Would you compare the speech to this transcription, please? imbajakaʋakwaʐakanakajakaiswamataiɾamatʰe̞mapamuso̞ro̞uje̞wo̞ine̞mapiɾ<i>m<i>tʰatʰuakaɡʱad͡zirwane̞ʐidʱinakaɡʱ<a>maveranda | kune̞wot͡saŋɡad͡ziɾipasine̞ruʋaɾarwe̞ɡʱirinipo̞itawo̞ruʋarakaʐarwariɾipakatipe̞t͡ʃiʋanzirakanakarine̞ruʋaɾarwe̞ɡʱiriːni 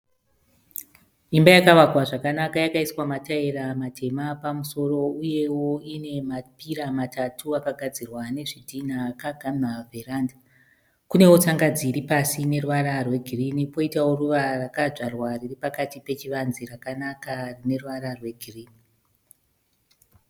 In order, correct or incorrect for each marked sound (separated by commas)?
incorrect, incorrect, correct